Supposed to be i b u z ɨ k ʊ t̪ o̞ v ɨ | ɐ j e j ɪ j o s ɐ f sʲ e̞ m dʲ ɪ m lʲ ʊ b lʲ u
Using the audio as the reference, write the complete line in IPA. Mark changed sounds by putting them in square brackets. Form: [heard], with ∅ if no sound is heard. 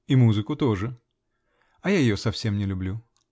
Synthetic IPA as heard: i [m] u z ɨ k ʊ t̪ o̞ [ʐ] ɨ | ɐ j [a] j ɪ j o s ɐ f sʲ e̞ m [nʲ] ɪ [∅] lʲ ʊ b lʲ u

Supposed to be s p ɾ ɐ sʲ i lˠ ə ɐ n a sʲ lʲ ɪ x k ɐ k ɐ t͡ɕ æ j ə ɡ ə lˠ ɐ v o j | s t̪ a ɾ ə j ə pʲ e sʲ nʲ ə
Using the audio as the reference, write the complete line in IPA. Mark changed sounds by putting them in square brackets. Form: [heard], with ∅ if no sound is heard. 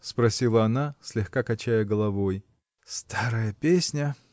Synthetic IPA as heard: s p ɾ ɐ sʲ i lˠ ə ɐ n a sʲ lʲ ɪ x k [a] k ɐ t͡ɕ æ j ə ɡ ə lˠ ɐ v o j | s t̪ a ɾ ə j ə pʲ e sʲ nʲ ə

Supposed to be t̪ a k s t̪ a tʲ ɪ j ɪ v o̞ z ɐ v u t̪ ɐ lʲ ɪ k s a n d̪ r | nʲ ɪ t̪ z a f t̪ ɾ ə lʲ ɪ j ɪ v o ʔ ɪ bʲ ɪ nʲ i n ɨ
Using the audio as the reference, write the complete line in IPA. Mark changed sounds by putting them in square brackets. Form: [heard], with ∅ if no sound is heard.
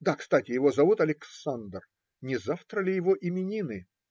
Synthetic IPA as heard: [d̪] a k s t̪ a tʲ ɪ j ɪ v o̞ z ɐ v u t̪ ɐ lʲ ɪ k s a n d̪ r | nʲ ɪ [∅] z a f t̪ ɾ ə lʲ ɪ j ɪ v o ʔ ɪ [mʲ] ɪ nʲ i n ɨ

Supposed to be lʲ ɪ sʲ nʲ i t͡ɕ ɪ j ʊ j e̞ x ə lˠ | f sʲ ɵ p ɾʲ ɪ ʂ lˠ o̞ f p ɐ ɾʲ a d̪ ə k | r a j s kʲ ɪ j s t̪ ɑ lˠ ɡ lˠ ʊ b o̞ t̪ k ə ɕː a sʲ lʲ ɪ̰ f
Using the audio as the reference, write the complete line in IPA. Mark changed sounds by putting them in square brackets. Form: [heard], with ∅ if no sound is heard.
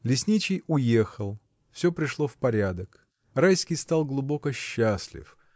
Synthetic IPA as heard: lʲ ɪ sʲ nʲ i t͡ɕ ɪ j ʊ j e̞ x ə lˠ | f sʲ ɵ p ɾʲ ɪ ʂ lˠ o̞ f p ɐ ɾʲ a d̪ ə k | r a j s kʲ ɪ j s t̪ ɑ lˠ ɡ lˠ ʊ b o̞ [∅] k ə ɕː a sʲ lʲ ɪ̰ f

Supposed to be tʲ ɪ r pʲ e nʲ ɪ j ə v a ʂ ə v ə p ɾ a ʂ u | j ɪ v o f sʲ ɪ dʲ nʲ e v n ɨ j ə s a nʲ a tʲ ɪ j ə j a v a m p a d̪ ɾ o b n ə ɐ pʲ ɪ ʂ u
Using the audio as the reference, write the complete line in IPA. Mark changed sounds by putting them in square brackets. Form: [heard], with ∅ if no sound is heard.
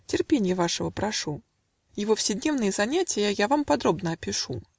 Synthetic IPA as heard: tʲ ɪ r pʲ e nʲ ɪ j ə v a ʂ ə v ə p ɾ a ʂ u | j ɪ v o f sʲ ɪ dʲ nʲ e v n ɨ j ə [z] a nʲ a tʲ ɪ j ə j a v a m p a d̪ ɾ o b n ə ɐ pʲ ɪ ʂ u

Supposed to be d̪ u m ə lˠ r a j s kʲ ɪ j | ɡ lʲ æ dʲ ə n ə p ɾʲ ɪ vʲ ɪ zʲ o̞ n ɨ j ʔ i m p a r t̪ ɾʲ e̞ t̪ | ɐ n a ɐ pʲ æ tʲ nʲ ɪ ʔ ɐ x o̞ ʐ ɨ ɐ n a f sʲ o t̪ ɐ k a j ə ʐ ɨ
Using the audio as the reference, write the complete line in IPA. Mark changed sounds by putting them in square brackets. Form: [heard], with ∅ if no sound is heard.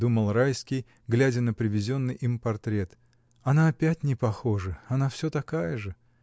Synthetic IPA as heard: d̪ u m ə lˠ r a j s kʲ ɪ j | ɡ lʲ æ dʲ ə n ə p ɾʲ ɪ vʲ ɪ zʲ o̞ [nː] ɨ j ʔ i m p [ɐ] r t̪ ɾʲ e̞ t̪ | ɐ n a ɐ pʲ æ tʲ nʲ ɪ [p] ɐ x o̞ ʐ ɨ ɐ n a f sʲ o t̪ ɐ k a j ə ʐ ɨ

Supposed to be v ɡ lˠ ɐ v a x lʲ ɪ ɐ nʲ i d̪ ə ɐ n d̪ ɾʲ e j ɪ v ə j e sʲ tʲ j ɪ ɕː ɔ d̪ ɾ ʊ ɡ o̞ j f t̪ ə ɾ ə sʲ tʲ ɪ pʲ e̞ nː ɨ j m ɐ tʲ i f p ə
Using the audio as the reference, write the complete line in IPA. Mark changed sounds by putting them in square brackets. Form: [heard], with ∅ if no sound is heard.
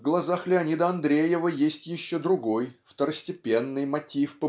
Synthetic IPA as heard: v ɡ lˠ ɐ [z] a x lʲ ɪ ɐ nʲ i d̪ ə ɐ n d̪ ɾʲ e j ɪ v ə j e sʲ tʲ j ɪ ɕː [o] d̪ ɾ ʊ ɡ o̞ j f t̪ ə ɾ ə sʲ tʲ ɪ pʲ e̞ nː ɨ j m ɐ tʲ i f p ə

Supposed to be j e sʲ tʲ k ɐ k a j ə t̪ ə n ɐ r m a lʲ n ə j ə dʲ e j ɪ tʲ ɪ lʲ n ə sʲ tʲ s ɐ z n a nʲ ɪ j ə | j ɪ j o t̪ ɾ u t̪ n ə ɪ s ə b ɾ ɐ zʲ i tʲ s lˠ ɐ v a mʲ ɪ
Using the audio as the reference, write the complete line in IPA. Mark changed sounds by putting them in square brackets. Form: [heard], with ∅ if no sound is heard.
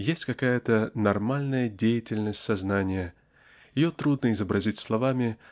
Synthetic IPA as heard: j e sʲ tʲ k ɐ k a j ə t̪ ə n ɐ r m a lʲ n ə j ə dʲ e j ɪ tʲ ɪ lʲ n ə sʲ tʲ s ɐ z n a nʲ ɪ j ə | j ɪ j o t̪ ɾ u [d̪] n ə ɪ [z] ə b ɾ ɐ zʲ i tʲ s lˠ ɐ v a mʲ ɪ

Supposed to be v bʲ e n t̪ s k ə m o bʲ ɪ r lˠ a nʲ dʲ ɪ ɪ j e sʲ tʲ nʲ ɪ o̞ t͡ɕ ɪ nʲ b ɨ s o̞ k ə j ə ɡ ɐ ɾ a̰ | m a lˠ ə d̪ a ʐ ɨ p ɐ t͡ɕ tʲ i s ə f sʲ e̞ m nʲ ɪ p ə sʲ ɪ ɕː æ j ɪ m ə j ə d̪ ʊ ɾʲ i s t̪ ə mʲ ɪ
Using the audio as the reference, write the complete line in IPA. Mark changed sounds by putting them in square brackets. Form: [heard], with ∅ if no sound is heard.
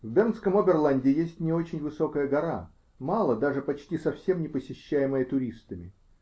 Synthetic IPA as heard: v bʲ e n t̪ s k ə m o bʲ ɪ r lˠ a nʲ dʲ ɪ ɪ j e sʲ tʲ nʲ ɪ o̞ t͡ɕ ɪ nʲ [v] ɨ s o̞ k ə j ə ɡ ɐ ɾ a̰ | m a lˠ ə d̪ a ʐ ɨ p ɐ t͡ɕ tʲ i s [ɐ] f sʲ e̞ m nʲ ɪ p ə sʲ ɪ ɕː æ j ɪ m ə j ə [t̪] ʊ ɾʲ i s t̪ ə mʲ ɪ

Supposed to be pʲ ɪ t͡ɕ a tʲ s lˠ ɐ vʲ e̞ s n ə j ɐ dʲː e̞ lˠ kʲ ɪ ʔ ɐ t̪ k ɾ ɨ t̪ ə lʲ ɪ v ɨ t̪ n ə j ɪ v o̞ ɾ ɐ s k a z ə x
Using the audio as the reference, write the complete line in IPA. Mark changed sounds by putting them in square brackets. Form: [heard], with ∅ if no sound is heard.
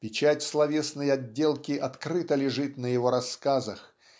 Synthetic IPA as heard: pʲ ɪ t͡ɕ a tʲ s lˠ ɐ vʲ e̞ s n ə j ɐ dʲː e̞ lˠ kʲ ɪ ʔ ɐ t̪ k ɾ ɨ t̪ ə lʲ ɪ [ʐ] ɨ t̪ n ə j ɪ v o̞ ɾ ɐ s k a z ə x

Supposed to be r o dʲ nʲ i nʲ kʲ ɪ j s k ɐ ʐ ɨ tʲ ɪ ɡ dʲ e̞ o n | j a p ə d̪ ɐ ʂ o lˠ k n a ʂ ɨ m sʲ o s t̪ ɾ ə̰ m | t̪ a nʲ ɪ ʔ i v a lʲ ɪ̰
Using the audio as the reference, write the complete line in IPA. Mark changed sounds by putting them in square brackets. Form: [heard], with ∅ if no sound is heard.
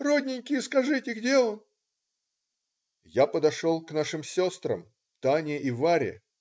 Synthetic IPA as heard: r o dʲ nʲ [ɪ] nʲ kʲ ɪ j s k ɐ ʐ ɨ tʲ ɪ ɡ dʲ e̞ o n | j a p ə d̪ ɐ ʂ o lˠ k n a ʂ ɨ m sʲ o s t̪ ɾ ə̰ m | t̪ a nʲ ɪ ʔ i v a [ɾʲ] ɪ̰

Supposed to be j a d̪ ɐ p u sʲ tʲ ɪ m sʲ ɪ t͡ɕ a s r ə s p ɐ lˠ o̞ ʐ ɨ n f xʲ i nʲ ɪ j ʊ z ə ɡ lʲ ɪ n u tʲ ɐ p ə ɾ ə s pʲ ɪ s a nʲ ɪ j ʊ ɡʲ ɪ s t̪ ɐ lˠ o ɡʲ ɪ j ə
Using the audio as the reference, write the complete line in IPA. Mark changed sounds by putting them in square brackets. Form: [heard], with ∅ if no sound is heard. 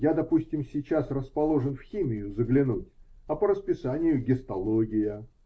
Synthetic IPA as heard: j a d̪ ɐ p u sʲ tʲ ɪ m sʲ ɪ t͡ɕ a s r ə s p ɐ lˠ o̞ ʐ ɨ n f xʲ i [mʲ] ɪ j ʊ z ə ɡ lʲ ɪ n u tʲ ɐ p ə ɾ ə s pʲ ɪ s a nʲ ɪ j ʊ ɡʲ ɪ s t̪ ɐ lˠ o ɡʲ ɪ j ə

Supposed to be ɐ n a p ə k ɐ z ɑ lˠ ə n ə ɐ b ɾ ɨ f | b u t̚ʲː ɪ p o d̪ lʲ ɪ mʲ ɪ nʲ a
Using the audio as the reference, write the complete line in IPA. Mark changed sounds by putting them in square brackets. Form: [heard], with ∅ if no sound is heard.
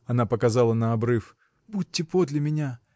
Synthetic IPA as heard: ɐ n a p ə k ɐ z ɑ lˠ ə n ə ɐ b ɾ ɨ f | b u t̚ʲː ɪ p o d̪ lʲ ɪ mʲ ɪ nʲ a

